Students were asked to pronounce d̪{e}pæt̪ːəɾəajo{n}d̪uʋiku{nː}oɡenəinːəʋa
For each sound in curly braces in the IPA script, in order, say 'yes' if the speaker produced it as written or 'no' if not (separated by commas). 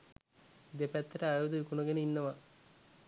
yes, no, no